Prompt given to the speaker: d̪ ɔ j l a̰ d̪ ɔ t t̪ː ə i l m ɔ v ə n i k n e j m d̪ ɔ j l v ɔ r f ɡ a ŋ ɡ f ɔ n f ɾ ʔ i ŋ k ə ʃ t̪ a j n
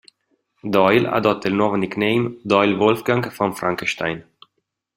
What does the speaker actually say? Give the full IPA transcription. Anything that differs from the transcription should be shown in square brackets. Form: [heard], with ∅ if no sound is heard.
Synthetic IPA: d̪ ɔ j l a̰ d̪ ɔ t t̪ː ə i l [n] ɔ v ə n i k n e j m d̪ ɔ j l v ɔ [l] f ɡ a ŋ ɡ f ɔ n f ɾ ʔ [a] ŋ k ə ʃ t̪ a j n